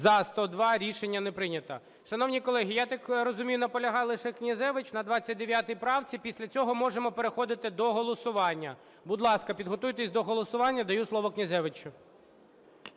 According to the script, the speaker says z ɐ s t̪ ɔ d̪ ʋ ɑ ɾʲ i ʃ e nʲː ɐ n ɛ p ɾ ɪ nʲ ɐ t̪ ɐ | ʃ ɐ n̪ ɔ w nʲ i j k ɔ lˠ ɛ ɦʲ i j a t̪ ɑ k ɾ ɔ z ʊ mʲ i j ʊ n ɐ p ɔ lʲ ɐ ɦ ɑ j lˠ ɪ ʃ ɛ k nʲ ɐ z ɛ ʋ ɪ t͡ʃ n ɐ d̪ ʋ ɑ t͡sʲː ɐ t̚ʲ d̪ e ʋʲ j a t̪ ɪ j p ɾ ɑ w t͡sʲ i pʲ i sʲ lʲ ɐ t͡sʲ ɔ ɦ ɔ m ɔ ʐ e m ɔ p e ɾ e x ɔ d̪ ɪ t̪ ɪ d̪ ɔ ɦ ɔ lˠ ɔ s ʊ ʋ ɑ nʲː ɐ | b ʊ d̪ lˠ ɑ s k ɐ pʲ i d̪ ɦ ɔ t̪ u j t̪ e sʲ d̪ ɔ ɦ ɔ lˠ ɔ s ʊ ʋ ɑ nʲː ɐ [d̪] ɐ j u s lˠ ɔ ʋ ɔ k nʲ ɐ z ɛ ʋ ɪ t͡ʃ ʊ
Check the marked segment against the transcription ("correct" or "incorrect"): correct